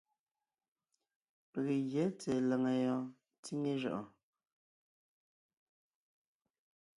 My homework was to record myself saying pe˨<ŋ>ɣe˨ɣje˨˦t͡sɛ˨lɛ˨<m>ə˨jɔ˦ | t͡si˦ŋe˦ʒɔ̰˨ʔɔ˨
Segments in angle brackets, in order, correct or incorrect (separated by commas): incorrect, incorrect